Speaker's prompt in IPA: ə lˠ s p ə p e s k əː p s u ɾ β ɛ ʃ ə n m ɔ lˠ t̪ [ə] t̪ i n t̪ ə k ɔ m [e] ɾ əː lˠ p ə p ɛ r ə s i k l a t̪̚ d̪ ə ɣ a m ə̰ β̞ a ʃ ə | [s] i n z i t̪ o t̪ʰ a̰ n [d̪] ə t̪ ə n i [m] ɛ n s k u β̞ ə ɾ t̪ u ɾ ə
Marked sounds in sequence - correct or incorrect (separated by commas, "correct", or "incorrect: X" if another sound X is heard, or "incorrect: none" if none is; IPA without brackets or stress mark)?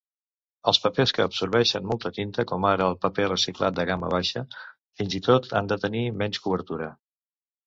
correct, incorrect: a, incorrect: f, correct, correct